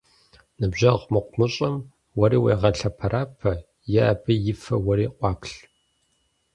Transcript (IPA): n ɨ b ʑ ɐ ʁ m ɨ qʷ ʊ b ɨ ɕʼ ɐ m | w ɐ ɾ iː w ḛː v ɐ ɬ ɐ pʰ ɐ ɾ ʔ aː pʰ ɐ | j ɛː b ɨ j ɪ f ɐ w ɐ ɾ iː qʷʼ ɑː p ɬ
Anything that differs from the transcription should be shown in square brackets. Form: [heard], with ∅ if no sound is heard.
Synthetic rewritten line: n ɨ b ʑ ɐ ʁ m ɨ qʷ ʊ [m] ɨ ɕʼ ɐ m | w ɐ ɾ iː w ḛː [ʁ] ɐ ɬ ɐ pʰ ɐ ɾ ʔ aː pʰ ɐ | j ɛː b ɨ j ɪ f ɐ w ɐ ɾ iː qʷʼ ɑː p ɬ

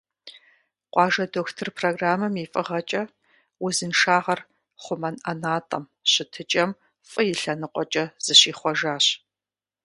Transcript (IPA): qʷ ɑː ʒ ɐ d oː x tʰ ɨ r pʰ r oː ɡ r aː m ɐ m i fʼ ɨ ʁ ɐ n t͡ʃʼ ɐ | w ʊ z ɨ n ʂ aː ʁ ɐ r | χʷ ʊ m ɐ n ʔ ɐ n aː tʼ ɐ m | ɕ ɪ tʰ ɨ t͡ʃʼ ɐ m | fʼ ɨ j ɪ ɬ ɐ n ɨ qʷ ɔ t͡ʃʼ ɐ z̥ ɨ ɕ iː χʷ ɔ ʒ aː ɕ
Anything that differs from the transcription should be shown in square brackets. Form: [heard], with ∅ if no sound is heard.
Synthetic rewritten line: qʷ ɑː ʒ ɐ d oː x tʰ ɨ r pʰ r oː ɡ r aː m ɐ m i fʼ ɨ ʁ ɐ [∅] t͡ʃʼ ɐ | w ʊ z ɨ n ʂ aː ʁ ɐ r | χʷ ʊ m ɐ n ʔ ɐ n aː tʼ ɐ m | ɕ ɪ tʰ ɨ t͡ʃʼ ɐ m | fʼ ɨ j ɪ ɬ ɐ n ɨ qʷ ɔ t͡ʃʼ ɐ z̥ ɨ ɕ iː χʷ ɔ ʒ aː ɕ

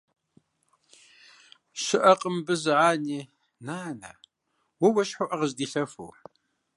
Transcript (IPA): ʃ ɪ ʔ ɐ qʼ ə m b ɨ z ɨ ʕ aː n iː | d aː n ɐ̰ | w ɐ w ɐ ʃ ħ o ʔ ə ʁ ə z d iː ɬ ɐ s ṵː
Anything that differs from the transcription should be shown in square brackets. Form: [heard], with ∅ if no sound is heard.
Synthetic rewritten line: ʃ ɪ ʔ ɐ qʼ ə m b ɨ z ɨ ʕ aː n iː | [n] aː n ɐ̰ | w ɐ w ɐ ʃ ħ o ʔ [ɐ] ʁ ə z d iː ɬ ɐ [f] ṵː

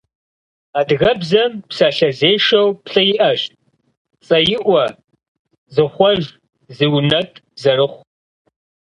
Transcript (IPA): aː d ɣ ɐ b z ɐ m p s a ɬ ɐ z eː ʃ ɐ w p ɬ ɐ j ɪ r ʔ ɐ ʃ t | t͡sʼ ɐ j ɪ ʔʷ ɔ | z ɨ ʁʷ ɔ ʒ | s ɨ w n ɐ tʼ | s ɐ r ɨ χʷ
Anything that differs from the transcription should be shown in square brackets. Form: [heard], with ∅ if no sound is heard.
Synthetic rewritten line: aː d ɣ ɐ b z ɐ m p s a ɬ ɐ z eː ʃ ɐ w p ɬ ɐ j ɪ [∅] ʔ ɐ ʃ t | t͡sʼ ɐ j ɪ ʔʷ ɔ | z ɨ [χʷ] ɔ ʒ | [z] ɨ w n ɐ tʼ | [z] ɐ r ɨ χʷ

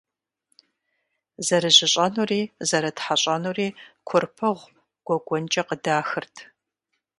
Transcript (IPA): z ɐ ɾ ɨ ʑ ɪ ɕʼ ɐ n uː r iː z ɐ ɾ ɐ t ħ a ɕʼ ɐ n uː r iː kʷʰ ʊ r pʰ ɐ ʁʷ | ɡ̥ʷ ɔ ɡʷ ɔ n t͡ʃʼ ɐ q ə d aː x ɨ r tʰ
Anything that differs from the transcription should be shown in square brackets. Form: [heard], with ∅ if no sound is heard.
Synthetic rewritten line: z ɐ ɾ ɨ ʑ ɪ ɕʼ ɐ n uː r iː z ɐ ɾ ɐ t ħ a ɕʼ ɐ n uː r iː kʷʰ ʊ r pʰ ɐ ʁʷ | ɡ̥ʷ ɔ ɡʷ ɔ n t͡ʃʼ ɐ q ə d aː x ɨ r tʰ

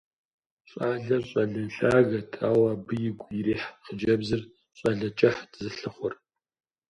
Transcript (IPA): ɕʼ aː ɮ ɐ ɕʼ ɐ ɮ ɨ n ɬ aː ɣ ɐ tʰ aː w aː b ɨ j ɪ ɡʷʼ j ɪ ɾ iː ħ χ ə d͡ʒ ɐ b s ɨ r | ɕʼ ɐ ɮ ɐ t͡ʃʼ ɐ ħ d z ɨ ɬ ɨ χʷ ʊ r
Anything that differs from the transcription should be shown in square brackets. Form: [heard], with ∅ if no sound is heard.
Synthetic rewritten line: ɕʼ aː ɮ ɐ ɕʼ ɐ ɮ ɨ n ɬ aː ɣ ɐ tʰ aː w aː b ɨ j ɪ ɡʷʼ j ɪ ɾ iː ħ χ ə d͡ʒ ɐ b [z] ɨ r | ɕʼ ɐ ɮ ɐ t͡ʃʼ ɐ ħ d z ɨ ɬ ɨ χʷ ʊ r

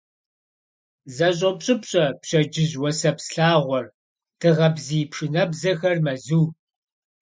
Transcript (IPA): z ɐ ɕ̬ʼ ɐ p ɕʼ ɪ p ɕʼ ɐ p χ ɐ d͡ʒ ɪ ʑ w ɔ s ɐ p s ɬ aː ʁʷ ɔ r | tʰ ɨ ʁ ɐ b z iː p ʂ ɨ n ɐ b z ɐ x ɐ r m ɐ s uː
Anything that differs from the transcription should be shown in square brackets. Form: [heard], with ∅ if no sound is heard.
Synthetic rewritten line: z ɐ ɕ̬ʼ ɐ p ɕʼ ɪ p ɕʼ ɐ p [ɕ] ɐ d͡ʒ ɪ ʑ w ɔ s ɐ p s ɬ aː ʁʷ ɔ r | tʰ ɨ ʁ ɐ b z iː p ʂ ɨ n ɐ b z ɐ x ɐ r m ɐ [z] uː

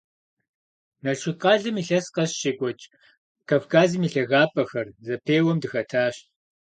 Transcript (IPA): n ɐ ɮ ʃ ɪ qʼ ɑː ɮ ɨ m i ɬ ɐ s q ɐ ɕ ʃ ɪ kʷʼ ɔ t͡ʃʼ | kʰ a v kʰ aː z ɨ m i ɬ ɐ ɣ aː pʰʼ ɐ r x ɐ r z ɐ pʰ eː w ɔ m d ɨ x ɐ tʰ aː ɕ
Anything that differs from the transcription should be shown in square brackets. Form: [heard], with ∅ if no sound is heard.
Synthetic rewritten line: n ɐ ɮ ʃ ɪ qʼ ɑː ɮ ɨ m i ɬ ɐ s q ɐ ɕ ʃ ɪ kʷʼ ɔ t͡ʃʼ | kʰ a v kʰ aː z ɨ m i ɬ ɐ ɣ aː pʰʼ ɐ [∅] x ɐ r z ɐ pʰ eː w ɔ m d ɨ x ɐ tʰ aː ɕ

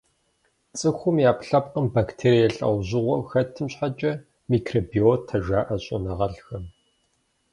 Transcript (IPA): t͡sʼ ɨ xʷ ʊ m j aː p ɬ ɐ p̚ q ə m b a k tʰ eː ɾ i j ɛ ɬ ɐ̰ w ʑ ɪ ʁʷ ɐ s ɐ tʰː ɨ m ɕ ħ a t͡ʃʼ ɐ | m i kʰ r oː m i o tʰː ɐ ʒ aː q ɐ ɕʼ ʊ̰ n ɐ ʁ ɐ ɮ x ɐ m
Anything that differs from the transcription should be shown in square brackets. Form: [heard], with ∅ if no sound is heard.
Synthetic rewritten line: t͡sʼ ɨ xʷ ʊ m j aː p ɬ ɐ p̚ q ə m b a k tʰ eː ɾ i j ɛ ɬ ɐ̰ w ʑ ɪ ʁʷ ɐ [x] ɐ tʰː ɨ m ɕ ħ a t͡ʃʼ ɐ | m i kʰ r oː [b] i o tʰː ɐ ʒ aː [ʔ] ɐ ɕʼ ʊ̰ n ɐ ʁ ɐ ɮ x ɐ m

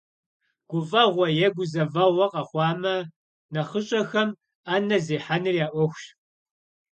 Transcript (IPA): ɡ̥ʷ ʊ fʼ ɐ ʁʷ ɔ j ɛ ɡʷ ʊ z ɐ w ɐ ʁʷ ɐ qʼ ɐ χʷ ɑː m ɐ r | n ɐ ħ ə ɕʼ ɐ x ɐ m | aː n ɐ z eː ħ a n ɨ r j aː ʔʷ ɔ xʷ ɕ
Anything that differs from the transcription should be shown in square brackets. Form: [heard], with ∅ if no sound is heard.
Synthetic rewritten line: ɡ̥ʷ ʊ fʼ ɐ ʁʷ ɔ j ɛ ɡʷ ʊ z ɐ [v] ɐ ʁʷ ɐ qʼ ɐ χʷ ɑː m ɐ [∅] | n ɐ [χ] ə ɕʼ ɐ x ɐ m | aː n ɐ z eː ħ a n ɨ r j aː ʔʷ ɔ xʷ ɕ

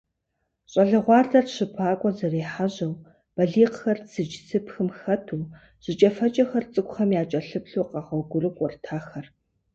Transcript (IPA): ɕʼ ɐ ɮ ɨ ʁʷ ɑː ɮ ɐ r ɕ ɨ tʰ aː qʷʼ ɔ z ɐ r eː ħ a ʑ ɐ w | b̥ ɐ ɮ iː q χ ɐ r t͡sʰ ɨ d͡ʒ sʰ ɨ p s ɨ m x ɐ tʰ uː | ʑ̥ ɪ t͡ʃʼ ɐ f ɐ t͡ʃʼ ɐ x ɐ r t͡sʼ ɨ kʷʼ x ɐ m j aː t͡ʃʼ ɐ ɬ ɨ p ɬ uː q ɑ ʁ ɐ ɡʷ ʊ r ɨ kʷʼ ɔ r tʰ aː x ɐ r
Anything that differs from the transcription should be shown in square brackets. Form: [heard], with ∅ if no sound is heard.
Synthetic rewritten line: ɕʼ ɐ ɮ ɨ ʁʷ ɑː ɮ ɐ r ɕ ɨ [pʰ] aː [kʷʼ] ɔ z ɐ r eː ħ a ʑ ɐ w | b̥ ɐ ɮ iː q [x] ɐ r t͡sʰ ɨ d͡ʒ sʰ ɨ p [x] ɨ m x ɐ tʰ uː | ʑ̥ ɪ t͡ʃʼ ɐ f ɐ t͡ʃʼ ɐ x ɐ r t͡sʼ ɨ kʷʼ x ɐ m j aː t͡ʃʼ ɐ ɬ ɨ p ɬ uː q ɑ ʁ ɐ ɡʷ ʊ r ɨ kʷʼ ɔ r tʰ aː x ɐ r

